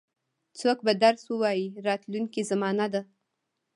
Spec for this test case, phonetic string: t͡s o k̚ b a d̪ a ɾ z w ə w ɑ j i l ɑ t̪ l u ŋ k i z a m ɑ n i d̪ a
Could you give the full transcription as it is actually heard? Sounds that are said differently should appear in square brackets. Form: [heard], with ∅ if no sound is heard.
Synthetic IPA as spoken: t͡s o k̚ b a d̪ a ɾ [s] w ə w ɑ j i [ɾ] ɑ t̪ l u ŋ k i z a m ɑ n [a] d̪ a

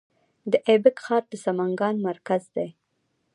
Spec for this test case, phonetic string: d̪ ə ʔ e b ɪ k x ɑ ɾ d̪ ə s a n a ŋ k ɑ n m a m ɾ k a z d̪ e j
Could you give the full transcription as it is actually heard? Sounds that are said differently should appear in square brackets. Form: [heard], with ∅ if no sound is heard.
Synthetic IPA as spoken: d̪ ə ʔ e b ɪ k x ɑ ɾ d̪ ə s a [m] a ŋ [ɡ] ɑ n m a [∅] ɾ k a z d̪ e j

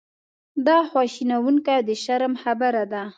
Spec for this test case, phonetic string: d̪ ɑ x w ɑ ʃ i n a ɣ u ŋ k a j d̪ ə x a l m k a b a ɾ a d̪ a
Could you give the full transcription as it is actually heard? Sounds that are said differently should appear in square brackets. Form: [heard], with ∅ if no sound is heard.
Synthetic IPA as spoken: d̪ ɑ x w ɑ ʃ i n a [w] u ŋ k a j d̪ ə [ʃ] a [ɾ] m [x] a b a ɾ a d̪ a

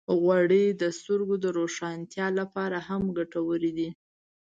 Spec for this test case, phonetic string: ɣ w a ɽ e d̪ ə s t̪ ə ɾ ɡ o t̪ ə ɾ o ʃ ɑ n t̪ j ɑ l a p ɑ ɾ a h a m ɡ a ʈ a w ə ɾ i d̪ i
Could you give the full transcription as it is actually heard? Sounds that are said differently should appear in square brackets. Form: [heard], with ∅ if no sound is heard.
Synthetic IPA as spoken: ɣ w a ɽ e d̪ ə s t̪ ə ɾ ɡ o [d̪] ə ɾ o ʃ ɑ n t̪ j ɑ l a p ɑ ɾ a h a m ɡ a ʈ a w ə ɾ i d̪ i

